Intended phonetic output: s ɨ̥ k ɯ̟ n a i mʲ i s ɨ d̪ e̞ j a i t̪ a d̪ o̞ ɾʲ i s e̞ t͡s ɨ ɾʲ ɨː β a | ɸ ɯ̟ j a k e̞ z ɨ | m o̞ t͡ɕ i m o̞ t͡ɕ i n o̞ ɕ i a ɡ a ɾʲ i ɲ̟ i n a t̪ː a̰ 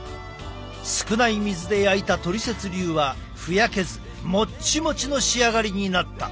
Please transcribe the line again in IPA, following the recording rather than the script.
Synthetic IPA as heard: s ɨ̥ k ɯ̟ n a i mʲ i z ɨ d̪ e̞ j a i t̪ a t̪ o̞ ɾʲ i s e̞ t͡s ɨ ɾʲ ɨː β a | ɸ ɯ̟ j a k e̞ z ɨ | m o̞ t͡ɕ i m o̞ t͡ɕ i n o̞ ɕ i a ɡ a ɾʲ i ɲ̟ i n a t̪ː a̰